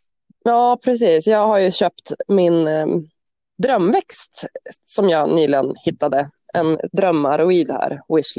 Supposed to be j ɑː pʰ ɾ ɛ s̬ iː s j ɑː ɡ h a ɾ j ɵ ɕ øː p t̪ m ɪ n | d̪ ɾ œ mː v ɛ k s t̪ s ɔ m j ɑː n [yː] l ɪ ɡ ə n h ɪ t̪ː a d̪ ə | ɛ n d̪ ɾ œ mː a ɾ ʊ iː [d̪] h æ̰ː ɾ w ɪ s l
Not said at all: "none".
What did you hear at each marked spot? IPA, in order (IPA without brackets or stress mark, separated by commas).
yː, d̪